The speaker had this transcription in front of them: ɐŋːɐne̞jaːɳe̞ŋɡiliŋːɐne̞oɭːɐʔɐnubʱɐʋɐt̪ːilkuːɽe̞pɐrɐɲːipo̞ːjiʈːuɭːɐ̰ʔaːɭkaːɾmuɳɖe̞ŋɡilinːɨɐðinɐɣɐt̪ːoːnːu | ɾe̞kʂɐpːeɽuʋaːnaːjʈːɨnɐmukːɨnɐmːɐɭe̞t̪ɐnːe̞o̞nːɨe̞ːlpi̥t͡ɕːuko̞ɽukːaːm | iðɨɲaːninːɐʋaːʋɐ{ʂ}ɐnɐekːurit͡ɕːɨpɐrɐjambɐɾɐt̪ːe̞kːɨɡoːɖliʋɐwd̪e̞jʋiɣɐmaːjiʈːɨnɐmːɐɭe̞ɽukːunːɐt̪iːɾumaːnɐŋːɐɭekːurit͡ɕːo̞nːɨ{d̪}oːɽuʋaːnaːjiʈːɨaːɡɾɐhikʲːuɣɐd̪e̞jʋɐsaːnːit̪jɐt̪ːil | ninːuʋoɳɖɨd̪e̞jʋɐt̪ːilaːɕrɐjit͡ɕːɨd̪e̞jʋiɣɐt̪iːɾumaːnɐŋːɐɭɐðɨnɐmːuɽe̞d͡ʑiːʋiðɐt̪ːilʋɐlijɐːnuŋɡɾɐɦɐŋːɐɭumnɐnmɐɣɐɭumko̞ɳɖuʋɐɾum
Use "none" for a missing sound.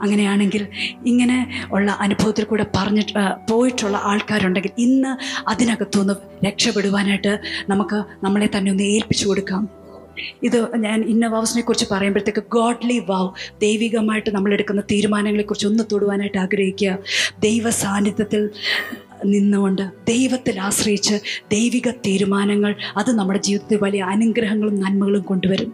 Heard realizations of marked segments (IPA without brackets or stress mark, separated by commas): s, t̪